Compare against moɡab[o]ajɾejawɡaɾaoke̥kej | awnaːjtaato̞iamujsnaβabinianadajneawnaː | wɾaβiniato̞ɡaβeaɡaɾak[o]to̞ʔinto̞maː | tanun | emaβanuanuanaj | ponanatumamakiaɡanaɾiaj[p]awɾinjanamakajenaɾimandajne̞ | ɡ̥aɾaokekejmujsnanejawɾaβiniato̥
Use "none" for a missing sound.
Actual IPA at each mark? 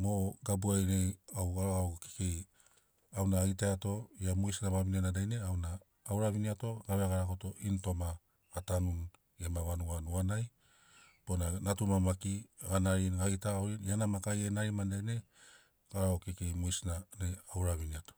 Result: u, o, t

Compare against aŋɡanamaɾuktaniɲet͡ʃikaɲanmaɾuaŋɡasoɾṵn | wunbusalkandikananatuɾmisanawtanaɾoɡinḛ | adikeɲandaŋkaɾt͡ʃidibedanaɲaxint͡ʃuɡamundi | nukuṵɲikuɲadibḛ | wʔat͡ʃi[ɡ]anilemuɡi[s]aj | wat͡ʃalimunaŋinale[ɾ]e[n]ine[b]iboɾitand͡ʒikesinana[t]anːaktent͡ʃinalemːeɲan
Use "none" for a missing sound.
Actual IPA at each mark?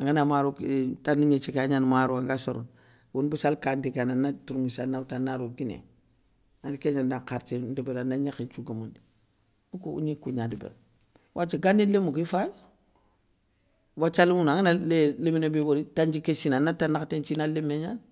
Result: ɡ, f, l, m, b, t

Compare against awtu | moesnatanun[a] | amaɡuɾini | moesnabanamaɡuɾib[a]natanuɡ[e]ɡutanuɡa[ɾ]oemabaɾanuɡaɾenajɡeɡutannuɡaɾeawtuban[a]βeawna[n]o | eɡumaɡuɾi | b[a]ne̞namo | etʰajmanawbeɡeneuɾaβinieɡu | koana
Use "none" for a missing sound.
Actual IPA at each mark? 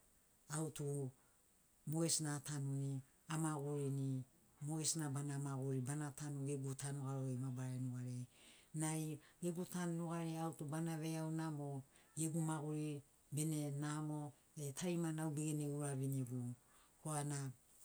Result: i, a, e, ɾ, a, m, e

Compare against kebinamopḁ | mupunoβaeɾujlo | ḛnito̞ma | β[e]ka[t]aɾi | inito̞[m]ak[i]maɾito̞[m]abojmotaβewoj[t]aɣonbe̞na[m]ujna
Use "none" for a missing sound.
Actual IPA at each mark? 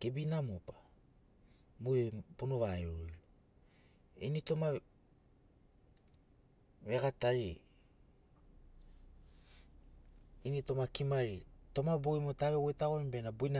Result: e, t, m, i, m, t, b

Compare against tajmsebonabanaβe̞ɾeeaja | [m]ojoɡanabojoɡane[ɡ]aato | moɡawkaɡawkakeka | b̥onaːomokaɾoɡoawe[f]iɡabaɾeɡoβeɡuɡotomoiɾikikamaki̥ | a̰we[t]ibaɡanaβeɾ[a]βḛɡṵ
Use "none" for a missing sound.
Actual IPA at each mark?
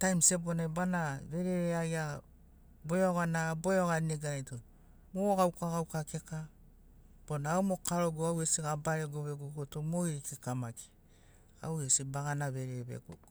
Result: b, ɡ, s, s, e

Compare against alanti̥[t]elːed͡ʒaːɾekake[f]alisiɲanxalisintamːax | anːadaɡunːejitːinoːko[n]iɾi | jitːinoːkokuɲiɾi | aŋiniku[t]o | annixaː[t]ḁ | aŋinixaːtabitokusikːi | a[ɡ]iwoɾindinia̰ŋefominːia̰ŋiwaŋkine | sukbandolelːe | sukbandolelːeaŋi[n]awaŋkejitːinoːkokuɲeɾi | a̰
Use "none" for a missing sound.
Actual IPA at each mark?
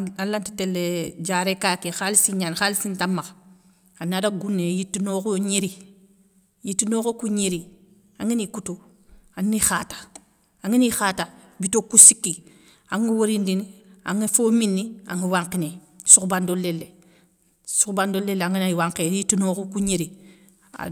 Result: t, x, ɲ, t, t, ŋ, n

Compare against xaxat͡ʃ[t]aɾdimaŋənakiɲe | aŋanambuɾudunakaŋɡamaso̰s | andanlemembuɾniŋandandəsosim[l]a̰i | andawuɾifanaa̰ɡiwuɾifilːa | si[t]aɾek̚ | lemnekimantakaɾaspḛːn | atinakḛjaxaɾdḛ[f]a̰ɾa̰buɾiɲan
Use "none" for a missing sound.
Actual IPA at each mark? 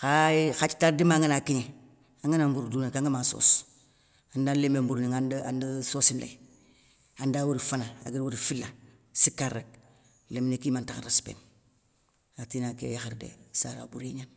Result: t, l, k, s

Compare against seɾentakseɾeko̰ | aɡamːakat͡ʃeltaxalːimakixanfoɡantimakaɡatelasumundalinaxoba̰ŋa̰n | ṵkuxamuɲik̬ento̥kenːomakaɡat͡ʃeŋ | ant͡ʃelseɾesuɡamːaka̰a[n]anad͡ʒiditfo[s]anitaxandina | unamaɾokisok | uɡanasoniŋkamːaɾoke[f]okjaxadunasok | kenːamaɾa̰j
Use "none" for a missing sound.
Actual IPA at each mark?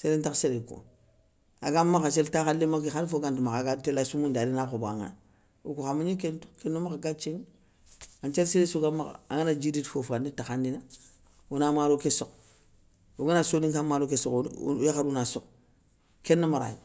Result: ŋ, f, s

